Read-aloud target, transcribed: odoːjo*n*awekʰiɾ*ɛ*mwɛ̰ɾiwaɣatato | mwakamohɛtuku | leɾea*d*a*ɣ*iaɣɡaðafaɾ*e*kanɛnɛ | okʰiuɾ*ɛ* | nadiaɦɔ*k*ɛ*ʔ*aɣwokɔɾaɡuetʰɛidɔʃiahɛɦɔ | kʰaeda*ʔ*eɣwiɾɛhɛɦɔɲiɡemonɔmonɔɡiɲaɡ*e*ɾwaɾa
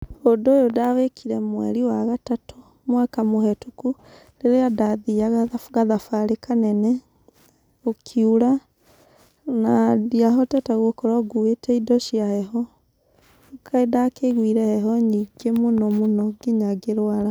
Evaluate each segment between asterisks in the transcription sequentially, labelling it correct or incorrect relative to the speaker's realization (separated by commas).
incorrect, correct, correct, incorrect, correct, incorrect, incorrect, incorrect, incorrect, correct